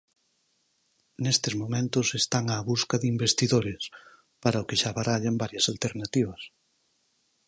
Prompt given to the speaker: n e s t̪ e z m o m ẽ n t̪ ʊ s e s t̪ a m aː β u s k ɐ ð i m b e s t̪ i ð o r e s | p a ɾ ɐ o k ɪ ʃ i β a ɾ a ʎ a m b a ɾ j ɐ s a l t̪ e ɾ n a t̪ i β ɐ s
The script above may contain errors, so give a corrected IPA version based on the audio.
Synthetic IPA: n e s t̪ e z m o m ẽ n t̪ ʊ s e s t̪ a ŋ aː β u s k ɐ ð i m b e s t̪ i ð o ɾ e s | p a ɾ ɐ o k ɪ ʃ a β a ɾ a ʎ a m b a ɾ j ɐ s a l t̪ e ɾ n a t̪ i β ɐ s